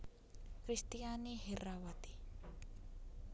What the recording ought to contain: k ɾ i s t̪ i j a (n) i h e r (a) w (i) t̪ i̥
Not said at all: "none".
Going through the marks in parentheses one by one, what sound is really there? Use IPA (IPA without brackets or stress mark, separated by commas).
n, a, a